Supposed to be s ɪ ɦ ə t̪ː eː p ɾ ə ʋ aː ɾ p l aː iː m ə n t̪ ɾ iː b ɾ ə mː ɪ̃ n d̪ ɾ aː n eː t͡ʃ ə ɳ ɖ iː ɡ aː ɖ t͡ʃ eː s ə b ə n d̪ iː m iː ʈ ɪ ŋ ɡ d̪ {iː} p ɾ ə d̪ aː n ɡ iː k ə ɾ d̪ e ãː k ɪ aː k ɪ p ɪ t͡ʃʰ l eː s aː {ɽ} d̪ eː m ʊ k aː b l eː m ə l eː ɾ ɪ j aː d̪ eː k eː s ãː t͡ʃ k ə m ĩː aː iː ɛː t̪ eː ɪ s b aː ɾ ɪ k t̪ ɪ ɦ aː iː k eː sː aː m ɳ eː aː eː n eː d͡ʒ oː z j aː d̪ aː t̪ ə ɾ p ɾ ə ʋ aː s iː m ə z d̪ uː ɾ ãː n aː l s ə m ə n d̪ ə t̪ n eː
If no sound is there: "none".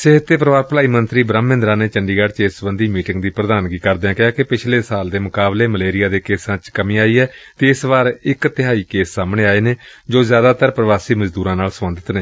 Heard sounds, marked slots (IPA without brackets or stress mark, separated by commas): iː, l